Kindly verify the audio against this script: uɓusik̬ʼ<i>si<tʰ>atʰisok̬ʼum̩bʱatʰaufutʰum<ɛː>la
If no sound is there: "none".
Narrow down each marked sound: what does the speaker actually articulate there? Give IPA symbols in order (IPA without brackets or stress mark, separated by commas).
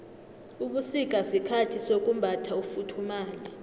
a, kʰ, aː